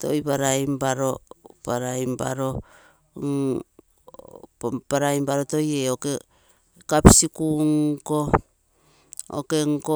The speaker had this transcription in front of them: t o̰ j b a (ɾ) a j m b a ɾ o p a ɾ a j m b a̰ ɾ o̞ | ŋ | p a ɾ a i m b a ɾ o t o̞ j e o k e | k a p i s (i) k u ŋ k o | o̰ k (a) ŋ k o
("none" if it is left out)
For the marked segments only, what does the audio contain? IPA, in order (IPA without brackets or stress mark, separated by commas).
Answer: ɾ, i, e